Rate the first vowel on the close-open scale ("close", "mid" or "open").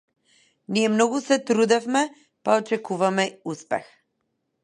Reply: close